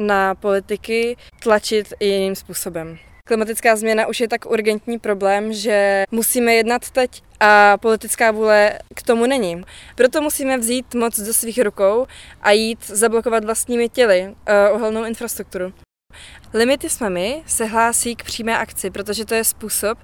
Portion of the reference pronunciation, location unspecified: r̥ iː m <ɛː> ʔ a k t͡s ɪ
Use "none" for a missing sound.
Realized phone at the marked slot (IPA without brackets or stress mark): ɛː